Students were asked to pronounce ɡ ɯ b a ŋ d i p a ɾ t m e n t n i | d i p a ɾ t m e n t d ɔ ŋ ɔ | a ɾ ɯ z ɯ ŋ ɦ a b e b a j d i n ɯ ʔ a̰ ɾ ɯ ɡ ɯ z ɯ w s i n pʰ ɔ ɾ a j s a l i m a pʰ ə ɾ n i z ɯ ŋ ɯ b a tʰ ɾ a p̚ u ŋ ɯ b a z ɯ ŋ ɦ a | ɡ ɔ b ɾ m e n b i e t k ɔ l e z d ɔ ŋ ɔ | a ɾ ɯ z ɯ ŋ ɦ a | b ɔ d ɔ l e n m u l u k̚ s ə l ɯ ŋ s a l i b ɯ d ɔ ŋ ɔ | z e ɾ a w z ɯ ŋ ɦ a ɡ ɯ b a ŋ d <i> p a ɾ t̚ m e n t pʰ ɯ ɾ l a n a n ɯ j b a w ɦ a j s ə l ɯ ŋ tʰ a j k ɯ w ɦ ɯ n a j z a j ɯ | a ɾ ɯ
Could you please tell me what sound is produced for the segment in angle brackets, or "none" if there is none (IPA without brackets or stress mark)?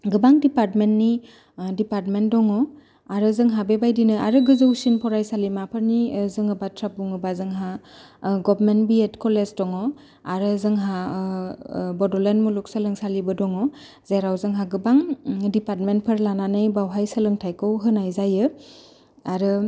i